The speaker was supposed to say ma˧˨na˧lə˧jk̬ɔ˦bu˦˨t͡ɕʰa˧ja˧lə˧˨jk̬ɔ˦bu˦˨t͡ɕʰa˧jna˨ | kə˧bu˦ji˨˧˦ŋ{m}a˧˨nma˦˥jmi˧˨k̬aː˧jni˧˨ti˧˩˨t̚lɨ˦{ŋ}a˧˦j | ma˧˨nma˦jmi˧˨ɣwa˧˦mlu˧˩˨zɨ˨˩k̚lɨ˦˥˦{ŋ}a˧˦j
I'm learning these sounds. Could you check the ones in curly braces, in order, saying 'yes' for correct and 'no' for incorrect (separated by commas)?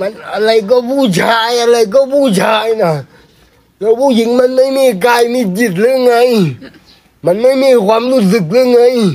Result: yes, yes, yes